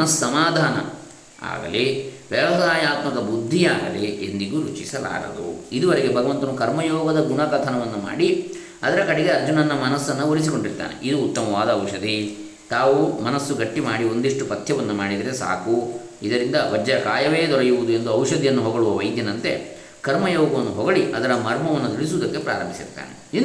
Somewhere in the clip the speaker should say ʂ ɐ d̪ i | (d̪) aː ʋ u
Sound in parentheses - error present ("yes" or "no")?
yes